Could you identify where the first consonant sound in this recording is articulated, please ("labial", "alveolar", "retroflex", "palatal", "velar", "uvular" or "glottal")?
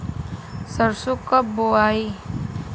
alveolar